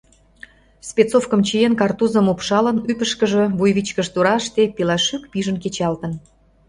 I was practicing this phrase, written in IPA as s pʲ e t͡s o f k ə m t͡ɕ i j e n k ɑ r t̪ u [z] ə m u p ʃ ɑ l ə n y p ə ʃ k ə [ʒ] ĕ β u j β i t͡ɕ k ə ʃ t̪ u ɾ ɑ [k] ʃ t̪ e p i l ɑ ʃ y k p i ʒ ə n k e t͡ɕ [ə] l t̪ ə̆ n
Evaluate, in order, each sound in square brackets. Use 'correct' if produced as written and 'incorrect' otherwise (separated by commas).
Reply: correct, correct, incorrect, incorrect